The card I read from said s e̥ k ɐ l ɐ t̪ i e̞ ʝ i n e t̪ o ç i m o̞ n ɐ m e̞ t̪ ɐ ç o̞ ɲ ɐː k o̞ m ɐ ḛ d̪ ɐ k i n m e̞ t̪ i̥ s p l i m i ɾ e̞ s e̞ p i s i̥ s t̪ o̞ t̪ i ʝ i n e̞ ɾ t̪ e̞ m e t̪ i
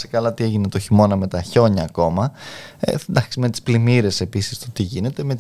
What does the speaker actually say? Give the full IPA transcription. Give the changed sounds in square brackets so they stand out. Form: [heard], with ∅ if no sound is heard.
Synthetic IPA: s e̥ k ɐ l ɐ t̪ i e̞ ʝ i n e t̪ o ç i m o̞ n ɐ m e̞ t̪ ɐ ç o̞ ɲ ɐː k o̞ m ɐ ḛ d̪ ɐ k i [∅] m e̞ t̪ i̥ s p l i m i ɾ e̞ s e̞ p i s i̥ s t̪ o̞ t̪ i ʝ i n e̞ [∅] t̪ e̞ m e t̪ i